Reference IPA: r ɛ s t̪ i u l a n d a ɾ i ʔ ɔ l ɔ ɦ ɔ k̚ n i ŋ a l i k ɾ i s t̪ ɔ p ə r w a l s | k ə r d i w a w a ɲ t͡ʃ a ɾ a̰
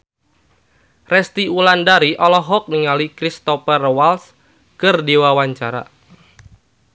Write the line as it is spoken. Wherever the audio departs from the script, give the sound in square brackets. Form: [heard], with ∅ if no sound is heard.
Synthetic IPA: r ɛ s t̪ i u l a n d a ɾ i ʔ ɔ l ɔ ɦ ɔ k̚ n i ŋ a l i k ɾ i s t̪ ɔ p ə r w a l s | k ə r d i w a w a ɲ t͡ʃ a ɾ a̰

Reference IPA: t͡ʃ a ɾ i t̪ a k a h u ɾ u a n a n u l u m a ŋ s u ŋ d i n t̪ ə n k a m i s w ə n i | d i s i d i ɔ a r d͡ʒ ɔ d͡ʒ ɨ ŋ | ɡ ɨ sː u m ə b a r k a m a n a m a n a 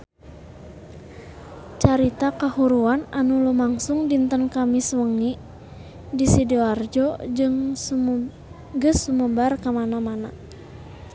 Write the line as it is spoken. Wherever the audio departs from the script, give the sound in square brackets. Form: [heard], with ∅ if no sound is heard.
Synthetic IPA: t͡ʃ a ɾ i t̪ a k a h u ɾ u a n a n u l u m a ŋ s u ŋ d i n t̪ ə n k a m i s w ə [ŋ] i | d i s i d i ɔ a r d͡ʒ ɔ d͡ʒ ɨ ŋ | ɡ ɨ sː u m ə b a r k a m a n a m a n a

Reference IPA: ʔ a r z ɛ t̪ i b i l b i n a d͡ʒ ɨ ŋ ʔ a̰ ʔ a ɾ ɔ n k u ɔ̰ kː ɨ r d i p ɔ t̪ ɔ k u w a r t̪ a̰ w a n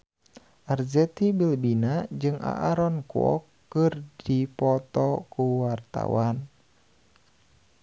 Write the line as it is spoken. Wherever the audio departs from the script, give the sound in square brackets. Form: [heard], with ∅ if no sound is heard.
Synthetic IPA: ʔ a r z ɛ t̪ i b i l b i n a d͡ʒ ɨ ŋ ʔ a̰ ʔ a ɾ ɔ n k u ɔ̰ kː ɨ r d i p ɔ t̪ ɔ k u w a r t̪ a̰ w a n

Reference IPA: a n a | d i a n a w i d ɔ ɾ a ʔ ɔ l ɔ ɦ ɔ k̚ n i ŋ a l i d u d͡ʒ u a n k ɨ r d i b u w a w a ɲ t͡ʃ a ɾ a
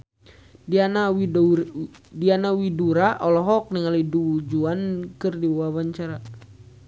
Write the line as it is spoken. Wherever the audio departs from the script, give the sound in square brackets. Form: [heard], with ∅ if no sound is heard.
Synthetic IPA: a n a | d i a n a w i d [u] ɾ a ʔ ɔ l ɔ ɦ ɔ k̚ n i ŋ a l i d u d͡ʒ u a n k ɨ r d i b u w a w a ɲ t͡ʃ a ɾ a

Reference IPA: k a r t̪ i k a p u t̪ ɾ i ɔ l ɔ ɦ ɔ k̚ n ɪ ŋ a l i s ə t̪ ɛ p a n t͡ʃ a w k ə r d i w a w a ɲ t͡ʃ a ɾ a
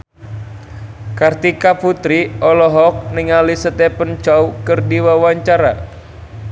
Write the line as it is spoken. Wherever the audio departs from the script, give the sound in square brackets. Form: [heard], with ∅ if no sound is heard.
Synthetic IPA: k a r t̪ i k a p u t̪ ɾ i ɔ l ɔ ɦ ɔ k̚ n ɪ ŋ a l i s ə t̪ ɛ p [ə] n t͡ʃ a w k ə r d i w a w a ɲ t͡ʃ a ɾ a

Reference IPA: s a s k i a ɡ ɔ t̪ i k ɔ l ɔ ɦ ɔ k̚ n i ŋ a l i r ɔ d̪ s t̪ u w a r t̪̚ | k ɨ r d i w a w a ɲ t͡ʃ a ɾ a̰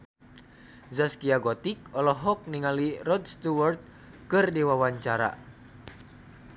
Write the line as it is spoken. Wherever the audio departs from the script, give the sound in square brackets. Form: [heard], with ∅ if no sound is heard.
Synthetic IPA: [z] a s k i a ɡ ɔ t̪ i k ɔ l ɔ ɦ ɔ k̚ n i ŋ a l i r ɔ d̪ s t̪ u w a r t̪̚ | k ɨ r d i w a w a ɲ t͡ʃ a ɾ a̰

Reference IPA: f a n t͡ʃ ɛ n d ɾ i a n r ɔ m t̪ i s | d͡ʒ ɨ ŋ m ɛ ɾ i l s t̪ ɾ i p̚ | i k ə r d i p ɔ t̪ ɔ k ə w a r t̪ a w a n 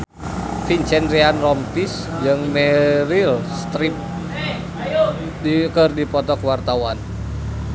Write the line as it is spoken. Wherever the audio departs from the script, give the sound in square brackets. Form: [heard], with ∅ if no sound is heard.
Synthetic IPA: f [i] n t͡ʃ ɛ n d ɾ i a n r ɔ m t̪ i s | d͡ʒ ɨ ŋ m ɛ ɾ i l s t̪ ɾ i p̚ | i k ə r d i p ɔ t̪ ɔ k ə w a r t̪ a w a n

